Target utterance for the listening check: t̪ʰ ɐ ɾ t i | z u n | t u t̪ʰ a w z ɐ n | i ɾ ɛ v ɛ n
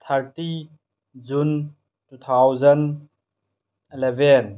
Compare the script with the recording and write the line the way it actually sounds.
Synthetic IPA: t̪ʰ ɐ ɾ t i | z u n | t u t̪ʰ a w z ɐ n | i l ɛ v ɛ n